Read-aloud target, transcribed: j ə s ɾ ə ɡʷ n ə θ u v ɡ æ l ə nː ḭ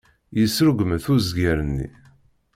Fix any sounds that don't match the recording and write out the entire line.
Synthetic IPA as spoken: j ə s ɾ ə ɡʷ m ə θ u z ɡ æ ɾ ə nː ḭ